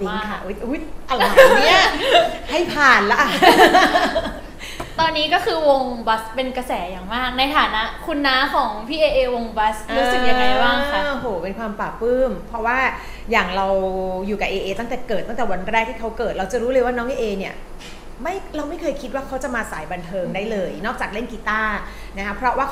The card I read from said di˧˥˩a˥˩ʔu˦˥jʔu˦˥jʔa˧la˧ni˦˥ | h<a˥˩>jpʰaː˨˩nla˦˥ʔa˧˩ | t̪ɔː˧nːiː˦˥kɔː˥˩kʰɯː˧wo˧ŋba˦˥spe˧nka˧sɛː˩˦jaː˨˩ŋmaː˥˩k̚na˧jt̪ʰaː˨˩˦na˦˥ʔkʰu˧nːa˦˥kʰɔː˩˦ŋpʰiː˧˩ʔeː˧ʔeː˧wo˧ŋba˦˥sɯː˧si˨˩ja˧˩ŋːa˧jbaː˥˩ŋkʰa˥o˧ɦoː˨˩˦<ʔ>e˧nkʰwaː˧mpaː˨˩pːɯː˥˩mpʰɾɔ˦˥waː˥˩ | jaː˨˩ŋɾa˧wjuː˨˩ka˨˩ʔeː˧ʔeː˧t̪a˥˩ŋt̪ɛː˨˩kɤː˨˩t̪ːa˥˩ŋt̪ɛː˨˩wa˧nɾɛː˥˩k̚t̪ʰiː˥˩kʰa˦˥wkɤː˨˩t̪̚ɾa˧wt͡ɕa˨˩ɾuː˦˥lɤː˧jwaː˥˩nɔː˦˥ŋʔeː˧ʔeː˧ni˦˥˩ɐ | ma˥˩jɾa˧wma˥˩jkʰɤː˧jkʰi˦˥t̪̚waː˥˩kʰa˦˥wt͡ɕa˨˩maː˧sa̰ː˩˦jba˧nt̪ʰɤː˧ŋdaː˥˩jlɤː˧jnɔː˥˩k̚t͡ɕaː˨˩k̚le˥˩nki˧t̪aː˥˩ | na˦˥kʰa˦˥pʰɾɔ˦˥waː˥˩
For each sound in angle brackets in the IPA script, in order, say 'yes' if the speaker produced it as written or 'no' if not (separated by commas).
yes, no